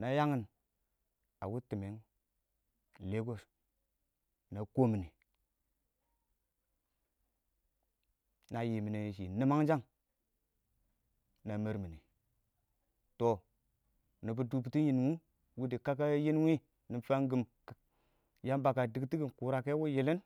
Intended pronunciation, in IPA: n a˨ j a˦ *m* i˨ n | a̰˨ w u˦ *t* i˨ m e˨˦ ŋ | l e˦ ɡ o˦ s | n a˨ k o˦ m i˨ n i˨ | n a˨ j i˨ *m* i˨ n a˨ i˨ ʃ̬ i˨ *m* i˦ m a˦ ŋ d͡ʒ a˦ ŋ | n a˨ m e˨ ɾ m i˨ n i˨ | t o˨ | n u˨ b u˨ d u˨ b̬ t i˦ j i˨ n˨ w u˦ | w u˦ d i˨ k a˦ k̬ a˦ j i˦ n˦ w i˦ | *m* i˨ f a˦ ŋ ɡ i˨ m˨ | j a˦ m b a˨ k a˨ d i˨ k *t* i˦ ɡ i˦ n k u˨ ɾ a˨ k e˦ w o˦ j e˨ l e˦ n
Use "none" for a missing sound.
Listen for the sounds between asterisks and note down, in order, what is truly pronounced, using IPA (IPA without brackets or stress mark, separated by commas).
ŋ, t, m, n, n, t